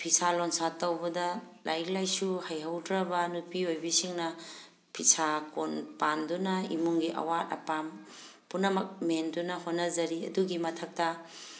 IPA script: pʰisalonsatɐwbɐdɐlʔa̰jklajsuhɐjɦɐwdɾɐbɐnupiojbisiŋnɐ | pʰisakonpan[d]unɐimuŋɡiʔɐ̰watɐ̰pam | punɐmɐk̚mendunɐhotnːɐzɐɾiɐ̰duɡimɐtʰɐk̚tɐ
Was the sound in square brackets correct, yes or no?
yes